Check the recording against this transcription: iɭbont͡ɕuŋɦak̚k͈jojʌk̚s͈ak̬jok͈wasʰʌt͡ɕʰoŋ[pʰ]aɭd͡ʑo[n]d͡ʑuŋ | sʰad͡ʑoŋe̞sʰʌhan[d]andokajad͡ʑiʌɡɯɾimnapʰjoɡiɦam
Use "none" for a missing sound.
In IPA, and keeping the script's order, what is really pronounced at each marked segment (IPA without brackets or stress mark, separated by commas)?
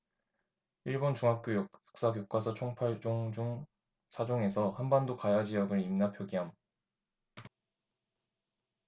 pʰ, ŋ, b